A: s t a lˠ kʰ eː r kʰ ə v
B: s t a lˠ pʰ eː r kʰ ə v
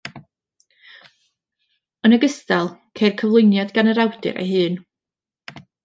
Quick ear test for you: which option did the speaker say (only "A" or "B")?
A